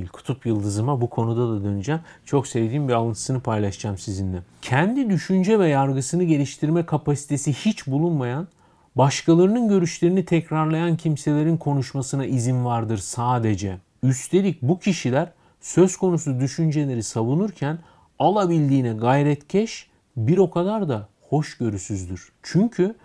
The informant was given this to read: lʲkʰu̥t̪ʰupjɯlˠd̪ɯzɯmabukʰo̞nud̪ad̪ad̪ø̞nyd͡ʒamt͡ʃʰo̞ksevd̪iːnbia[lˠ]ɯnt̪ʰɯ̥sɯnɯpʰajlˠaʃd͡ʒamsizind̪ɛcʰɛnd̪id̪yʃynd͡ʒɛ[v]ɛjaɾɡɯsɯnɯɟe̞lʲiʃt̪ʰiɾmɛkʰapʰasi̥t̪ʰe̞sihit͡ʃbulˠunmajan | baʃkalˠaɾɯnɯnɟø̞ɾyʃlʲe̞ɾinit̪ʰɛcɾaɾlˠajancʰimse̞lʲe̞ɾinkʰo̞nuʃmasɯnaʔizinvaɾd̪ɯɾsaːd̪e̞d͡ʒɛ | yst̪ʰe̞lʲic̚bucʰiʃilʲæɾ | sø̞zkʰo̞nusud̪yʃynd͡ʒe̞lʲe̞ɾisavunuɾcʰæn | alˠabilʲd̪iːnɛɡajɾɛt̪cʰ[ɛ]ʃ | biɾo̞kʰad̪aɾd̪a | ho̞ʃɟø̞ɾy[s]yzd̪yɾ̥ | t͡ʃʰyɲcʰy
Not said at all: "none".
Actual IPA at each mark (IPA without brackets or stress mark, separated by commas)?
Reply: lˠ, v, ɛ, s